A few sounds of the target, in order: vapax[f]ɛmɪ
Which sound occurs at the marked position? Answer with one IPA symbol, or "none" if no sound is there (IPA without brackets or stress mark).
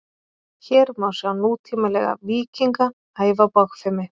f